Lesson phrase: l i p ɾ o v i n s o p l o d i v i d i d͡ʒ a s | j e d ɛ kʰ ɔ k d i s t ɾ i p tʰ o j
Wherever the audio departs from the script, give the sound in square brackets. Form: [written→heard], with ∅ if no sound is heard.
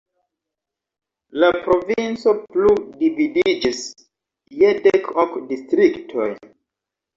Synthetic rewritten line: l [i→a] p ɾ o v i n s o p l [o→u] d i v i d i d͡ʒ [a→i] s | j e d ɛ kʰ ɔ k d i s t ɾ i [p→k] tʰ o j